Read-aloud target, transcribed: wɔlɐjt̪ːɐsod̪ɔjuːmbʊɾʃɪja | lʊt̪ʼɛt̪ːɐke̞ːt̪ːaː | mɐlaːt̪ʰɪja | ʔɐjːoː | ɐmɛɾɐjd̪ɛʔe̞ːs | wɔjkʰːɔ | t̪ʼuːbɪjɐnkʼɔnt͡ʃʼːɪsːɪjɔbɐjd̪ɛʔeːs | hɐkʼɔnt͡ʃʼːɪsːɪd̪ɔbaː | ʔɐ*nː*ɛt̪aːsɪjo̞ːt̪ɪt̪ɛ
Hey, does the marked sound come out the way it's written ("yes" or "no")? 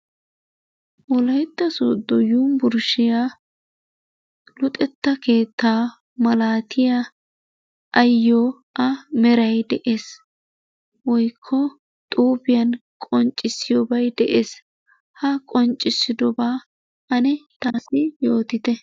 no